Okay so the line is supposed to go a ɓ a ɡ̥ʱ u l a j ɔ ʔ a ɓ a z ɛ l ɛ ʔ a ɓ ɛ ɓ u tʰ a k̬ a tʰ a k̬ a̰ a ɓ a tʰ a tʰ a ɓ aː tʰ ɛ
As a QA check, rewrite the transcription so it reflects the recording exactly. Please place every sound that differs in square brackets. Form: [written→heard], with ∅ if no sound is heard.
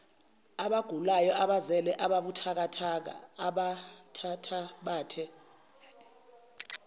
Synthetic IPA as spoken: a ɓ a ɡ̥ʱ u l a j ɔ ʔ a ɓ a z ɛ l ɛ ʔ a ɓ [ɛ→a] ɓ u tʰ a k̬ a tʰ a k̬ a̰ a ɓ a tʰ a tʰ a ɓ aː tʰ ɛ